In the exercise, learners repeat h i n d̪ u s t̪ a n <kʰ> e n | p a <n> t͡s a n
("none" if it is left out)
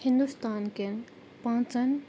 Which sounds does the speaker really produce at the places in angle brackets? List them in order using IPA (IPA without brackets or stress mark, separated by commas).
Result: k, ŋ